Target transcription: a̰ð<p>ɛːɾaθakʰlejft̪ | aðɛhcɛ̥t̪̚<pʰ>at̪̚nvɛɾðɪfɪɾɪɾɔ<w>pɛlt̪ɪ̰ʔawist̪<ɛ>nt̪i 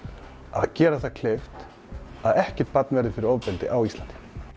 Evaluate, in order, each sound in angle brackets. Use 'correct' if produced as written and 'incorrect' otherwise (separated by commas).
incorrect, incorrect, incorrect, incorrect